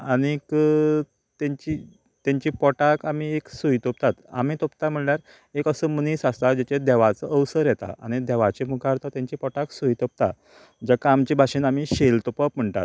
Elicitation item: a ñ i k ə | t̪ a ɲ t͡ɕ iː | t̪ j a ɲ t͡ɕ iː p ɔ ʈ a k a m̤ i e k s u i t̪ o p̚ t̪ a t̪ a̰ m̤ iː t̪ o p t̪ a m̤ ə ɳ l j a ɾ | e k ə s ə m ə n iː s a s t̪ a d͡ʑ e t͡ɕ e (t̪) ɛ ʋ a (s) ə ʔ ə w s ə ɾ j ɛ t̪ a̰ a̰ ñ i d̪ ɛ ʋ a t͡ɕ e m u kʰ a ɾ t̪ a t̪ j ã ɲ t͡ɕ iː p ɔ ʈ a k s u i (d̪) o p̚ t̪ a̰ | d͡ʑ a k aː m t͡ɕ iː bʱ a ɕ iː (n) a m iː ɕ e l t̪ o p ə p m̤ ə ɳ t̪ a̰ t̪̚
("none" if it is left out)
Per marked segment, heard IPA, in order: d̪, t͡s, t̪, n

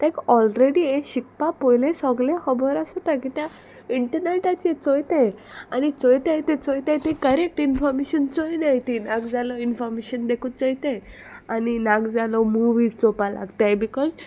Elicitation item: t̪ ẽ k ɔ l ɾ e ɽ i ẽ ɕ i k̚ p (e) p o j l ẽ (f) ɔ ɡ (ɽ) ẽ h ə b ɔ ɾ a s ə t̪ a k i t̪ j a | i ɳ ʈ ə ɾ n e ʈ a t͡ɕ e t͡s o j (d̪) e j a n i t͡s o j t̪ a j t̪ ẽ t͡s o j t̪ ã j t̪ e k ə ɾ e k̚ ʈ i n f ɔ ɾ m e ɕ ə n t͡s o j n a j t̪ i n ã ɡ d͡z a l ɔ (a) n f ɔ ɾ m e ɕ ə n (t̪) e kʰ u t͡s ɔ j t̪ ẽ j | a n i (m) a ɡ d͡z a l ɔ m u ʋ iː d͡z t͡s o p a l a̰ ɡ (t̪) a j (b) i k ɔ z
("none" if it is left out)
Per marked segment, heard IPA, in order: a, s, l, t̪, i, d̪, n, t̪, b

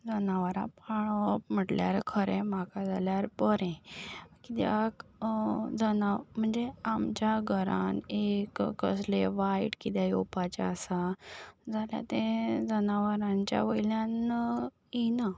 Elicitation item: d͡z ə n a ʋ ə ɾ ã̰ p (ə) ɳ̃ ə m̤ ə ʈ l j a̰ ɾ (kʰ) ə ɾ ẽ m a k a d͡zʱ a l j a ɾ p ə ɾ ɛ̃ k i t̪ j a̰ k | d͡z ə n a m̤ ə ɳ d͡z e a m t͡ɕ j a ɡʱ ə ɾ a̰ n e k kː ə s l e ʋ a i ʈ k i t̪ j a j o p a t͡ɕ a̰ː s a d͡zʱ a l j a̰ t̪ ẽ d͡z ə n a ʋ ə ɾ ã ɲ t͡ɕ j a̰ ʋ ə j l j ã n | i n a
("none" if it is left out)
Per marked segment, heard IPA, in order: a, kʰ

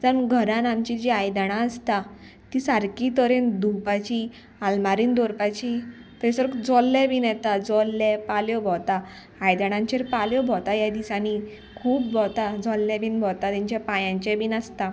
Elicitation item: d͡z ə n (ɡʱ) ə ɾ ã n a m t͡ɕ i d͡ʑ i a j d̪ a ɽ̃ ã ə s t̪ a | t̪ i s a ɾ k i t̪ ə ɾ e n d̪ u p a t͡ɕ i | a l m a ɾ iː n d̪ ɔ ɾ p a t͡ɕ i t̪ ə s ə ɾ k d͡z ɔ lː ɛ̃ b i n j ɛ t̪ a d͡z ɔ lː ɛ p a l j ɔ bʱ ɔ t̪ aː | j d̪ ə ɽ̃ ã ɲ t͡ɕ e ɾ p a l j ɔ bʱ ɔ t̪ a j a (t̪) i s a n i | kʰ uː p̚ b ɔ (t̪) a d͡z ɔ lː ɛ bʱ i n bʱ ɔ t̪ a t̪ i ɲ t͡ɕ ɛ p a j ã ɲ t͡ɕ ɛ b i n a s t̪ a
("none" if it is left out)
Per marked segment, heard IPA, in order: ɡʱ, d̪, t̪

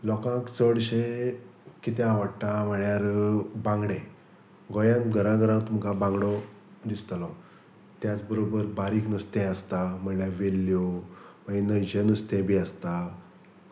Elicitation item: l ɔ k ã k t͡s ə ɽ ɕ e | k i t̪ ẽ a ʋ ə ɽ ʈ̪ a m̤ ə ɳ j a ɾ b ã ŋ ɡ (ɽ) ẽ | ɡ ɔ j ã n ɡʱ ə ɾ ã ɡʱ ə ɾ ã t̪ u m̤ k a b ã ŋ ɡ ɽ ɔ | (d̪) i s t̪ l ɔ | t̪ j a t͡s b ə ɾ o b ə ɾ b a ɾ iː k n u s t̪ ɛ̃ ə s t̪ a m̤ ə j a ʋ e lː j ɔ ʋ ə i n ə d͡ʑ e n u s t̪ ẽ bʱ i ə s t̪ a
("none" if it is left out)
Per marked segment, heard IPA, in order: ɽ, d̪

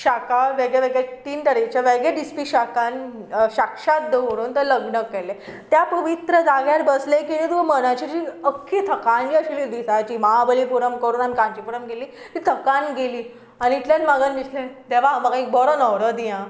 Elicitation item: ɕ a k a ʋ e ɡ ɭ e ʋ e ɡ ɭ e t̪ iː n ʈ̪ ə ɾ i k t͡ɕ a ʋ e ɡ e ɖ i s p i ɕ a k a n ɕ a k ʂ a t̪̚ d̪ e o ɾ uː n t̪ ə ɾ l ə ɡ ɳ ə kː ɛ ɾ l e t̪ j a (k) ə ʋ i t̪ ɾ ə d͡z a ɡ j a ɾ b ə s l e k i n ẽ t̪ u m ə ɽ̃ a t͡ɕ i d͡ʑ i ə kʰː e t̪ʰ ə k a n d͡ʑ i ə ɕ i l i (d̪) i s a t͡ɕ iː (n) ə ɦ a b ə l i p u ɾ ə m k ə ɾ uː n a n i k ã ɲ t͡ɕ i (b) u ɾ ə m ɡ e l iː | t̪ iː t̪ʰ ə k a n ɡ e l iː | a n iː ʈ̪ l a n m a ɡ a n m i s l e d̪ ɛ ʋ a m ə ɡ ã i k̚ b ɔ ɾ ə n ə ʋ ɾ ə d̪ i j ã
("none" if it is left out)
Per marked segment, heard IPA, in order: p, d̪, m, p

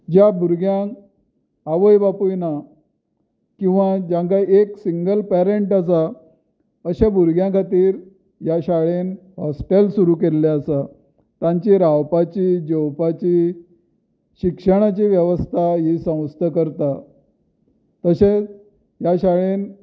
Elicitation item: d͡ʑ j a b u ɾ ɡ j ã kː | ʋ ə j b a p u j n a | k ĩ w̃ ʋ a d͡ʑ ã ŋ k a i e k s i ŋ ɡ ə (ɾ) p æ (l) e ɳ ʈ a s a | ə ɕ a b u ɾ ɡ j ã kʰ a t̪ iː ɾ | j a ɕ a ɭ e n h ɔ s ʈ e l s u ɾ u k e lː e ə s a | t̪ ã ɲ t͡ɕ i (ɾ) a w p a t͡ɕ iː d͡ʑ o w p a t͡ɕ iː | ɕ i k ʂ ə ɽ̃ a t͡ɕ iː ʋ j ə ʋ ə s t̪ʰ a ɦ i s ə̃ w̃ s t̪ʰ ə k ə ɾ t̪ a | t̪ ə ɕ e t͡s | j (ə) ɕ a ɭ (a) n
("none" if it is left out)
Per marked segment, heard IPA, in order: l, ɾ, ɾ, a, e

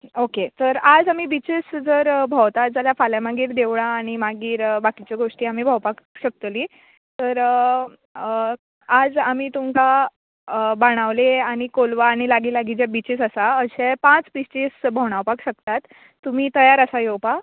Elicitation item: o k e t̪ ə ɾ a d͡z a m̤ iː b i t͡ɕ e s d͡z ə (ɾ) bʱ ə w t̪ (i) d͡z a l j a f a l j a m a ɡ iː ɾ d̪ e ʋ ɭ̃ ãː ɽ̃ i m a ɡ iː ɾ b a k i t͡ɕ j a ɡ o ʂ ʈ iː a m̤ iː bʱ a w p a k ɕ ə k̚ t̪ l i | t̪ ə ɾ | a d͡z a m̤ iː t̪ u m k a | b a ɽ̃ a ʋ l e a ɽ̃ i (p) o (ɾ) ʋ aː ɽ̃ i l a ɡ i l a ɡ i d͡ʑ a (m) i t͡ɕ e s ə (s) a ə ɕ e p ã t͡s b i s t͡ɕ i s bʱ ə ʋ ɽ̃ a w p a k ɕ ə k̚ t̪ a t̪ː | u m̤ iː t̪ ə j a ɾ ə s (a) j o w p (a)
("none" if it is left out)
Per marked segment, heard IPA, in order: ɾ, a, k, l, b, s, a, a

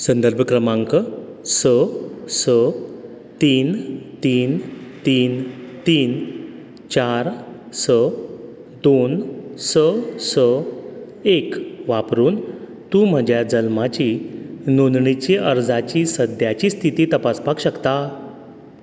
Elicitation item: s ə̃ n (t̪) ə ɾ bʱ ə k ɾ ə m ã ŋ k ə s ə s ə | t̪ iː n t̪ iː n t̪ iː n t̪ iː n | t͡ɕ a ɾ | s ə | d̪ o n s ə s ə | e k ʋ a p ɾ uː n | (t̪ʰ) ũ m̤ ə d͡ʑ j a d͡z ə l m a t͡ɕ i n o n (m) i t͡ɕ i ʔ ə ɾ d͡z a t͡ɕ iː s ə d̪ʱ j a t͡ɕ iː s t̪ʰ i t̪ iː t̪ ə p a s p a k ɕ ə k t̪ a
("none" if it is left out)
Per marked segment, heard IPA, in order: d̪, t̪, ɳ

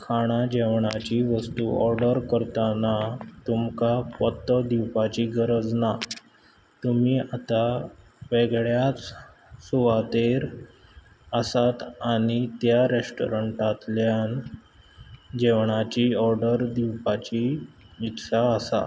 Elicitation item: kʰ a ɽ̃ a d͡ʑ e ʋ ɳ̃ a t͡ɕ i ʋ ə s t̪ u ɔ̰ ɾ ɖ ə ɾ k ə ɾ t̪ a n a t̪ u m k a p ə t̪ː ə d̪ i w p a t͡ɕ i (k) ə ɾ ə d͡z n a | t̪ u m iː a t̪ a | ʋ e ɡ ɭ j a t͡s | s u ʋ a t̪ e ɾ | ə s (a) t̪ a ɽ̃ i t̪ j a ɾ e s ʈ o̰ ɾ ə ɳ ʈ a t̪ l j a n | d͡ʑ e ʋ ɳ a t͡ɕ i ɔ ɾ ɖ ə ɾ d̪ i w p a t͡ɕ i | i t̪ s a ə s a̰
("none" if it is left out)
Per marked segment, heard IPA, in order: ɡ, a

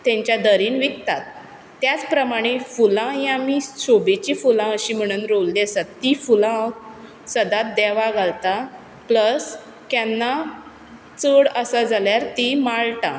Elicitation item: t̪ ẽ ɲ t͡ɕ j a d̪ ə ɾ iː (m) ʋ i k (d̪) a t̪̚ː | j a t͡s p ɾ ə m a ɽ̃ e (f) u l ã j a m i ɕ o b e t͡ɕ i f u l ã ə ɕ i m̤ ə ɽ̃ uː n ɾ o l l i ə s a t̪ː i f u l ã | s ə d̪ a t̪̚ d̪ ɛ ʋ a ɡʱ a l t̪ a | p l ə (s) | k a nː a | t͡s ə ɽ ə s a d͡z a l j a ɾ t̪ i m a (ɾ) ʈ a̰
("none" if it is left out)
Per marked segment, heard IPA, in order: n, t̪, f, s, ɭ

